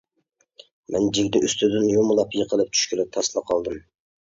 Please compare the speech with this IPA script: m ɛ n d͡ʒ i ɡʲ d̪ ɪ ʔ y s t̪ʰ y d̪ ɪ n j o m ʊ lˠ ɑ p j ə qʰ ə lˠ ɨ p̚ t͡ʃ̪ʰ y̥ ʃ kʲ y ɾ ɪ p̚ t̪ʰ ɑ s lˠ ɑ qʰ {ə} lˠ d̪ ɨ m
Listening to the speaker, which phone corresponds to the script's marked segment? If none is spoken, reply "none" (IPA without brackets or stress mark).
ɑ